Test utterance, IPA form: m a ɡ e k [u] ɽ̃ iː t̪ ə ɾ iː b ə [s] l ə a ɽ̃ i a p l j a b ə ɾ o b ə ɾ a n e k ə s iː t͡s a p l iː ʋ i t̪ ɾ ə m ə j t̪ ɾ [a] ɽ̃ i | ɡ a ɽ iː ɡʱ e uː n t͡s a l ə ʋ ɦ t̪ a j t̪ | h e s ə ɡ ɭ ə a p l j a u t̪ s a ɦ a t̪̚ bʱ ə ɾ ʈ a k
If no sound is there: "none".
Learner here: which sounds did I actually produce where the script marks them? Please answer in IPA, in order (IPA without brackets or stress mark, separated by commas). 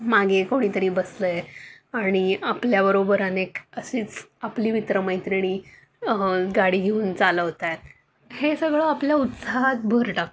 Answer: o, s, i